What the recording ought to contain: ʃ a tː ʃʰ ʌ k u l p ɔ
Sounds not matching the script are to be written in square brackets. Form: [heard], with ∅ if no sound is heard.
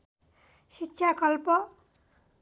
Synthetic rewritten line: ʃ [i] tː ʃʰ [a] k [ɔ] l p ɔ